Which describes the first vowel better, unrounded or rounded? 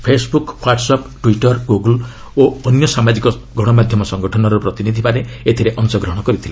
unrounded